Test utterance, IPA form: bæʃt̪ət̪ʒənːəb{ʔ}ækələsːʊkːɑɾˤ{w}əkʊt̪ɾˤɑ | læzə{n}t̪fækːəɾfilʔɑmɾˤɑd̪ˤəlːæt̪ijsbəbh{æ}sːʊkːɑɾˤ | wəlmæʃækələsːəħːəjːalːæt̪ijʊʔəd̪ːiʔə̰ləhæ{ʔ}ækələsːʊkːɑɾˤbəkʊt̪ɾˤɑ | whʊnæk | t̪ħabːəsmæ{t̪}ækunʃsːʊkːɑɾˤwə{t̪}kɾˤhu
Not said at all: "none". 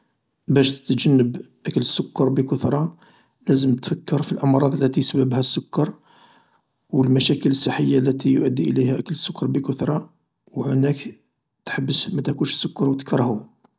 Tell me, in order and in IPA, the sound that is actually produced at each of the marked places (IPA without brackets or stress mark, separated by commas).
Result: ʔ, b, m, æ, ʔ, t̪, t̪